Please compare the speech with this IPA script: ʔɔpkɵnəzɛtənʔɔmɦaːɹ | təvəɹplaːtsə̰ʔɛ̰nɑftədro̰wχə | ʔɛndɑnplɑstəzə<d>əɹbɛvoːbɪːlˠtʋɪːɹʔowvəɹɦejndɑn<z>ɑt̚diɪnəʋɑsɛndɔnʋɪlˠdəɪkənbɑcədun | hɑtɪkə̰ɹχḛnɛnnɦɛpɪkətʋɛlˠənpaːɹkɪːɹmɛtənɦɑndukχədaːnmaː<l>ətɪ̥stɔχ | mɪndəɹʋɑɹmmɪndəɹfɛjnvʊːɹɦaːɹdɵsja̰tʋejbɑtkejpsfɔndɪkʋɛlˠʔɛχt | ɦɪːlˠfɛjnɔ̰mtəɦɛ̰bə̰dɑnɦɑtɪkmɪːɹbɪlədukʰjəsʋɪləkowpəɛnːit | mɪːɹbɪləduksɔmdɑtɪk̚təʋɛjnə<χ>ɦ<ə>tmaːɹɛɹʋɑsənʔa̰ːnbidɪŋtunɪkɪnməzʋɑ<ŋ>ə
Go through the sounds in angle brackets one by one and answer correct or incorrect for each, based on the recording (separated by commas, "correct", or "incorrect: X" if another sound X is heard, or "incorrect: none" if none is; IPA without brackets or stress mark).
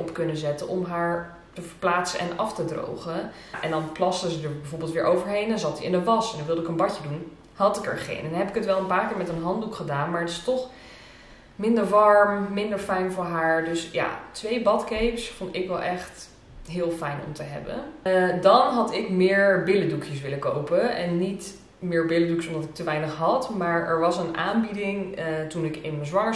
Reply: correct, correct, incorrect: ɹ, correct, incorrect: ɑ, correct